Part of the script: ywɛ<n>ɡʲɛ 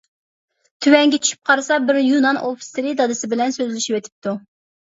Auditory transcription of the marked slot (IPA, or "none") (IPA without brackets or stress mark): ŋ